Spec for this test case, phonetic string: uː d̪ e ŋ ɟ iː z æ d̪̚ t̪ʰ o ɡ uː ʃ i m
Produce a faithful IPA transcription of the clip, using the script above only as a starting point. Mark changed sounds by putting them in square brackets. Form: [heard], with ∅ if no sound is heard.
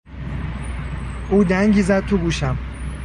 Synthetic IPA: uː d̪ [æ] ŋ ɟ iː z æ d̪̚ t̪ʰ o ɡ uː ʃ [æ] m

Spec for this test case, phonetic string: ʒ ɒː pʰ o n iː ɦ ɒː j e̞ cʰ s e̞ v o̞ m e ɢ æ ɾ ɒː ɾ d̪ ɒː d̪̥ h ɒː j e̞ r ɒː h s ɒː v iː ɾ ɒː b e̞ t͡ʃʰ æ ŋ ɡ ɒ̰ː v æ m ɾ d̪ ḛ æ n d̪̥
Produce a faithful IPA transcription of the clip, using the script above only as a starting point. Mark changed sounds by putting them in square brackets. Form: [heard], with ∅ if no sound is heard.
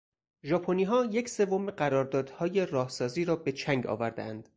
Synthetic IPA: ʒ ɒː pʰ o n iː ɦ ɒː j e̞ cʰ s e̞ v o̞ m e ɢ æ ɾ ɒː ɾ d̪ ɒː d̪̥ h ɒː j e̞ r ɒː h s ɒː [z] iː ɾ ɒː b e̞ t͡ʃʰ æ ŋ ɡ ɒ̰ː v æ [∅] ɾ d̪ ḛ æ n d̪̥

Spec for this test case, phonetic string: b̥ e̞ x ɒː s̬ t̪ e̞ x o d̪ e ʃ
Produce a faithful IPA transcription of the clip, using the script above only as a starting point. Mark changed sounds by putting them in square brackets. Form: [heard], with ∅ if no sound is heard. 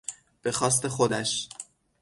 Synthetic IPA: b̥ e̞ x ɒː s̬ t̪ e̞ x o d̪ [æ] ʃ

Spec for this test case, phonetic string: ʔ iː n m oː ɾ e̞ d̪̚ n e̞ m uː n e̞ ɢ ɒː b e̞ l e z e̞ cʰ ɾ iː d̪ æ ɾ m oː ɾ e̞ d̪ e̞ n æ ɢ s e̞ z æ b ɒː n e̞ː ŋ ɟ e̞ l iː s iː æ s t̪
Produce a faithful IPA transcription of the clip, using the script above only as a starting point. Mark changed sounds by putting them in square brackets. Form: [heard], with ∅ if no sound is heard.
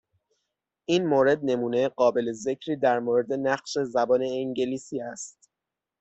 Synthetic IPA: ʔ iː n m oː ɾ e̞ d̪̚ n e̞ m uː n e̞ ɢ ɒː b e̞ l e z e̞ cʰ ɾ iː d̪ æ ɾ m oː ɾ e̞ d̪ e̞ n æ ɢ [ʃ] e̞ z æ b ɒː n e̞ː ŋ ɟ e̞ l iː s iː æ s t̪

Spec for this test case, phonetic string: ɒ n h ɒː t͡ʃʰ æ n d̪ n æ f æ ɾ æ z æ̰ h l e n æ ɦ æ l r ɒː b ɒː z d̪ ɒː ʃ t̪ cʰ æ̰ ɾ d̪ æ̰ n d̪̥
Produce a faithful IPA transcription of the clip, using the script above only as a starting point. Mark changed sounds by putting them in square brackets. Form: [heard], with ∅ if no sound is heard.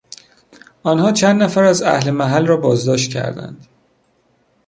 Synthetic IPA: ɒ n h ɒː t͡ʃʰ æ n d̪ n æ f æ ɾ æ z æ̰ h l e [m] æ ɦ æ l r ɒː b ɒː z d̪ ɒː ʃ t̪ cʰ æ̰ ɾ d̪ æ̰ n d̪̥

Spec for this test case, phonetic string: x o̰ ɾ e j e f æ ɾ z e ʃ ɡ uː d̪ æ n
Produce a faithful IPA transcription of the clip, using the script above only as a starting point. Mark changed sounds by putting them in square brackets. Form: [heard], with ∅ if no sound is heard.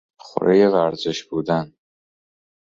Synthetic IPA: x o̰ ɾ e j e [v] æ ɾ z e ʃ [b] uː d̪ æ n

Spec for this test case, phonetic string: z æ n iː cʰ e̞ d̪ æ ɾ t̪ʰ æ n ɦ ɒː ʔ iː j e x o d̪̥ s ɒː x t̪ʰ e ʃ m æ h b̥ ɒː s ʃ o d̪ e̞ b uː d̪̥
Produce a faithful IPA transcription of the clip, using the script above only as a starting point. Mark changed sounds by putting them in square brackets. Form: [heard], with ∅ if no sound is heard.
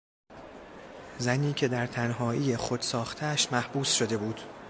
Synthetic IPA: z æ n iː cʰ e̞ d̪ æ ɾ t̪ʰ æ n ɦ ɒː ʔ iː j e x o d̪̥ s ɒː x t̪ʰ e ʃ m æ h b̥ [uː] s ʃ o d̪ e̞ b uː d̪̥

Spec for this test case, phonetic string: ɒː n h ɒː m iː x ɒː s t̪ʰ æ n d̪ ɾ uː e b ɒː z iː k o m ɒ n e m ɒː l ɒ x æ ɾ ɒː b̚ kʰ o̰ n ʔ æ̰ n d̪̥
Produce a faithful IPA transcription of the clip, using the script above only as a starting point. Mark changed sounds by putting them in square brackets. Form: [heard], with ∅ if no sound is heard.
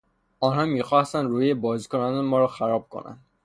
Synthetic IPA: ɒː n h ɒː m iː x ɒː s [t̪] æ n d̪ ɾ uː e b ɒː z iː k o [n] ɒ n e m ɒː [ɾ] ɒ x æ ɾ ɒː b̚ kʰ o̰ n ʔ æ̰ n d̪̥

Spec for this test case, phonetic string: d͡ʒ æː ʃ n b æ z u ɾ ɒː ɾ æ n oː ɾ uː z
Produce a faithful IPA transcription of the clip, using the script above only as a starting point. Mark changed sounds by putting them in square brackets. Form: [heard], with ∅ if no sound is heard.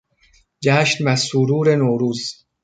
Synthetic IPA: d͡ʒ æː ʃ n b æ [s] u ɾ [uː] ɾ [e] n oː ɾ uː z

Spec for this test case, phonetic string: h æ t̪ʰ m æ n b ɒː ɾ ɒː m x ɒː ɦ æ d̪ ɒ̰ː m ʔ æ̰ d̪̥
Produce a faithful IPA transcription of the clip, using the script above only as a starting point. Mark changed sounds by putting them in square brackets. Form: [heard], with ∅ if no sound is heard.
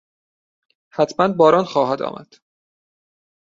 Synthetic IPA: h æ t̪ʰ m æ n b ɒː ɾ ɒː [n] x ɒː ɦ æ d̪ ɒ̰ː m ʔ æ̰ d̪̥

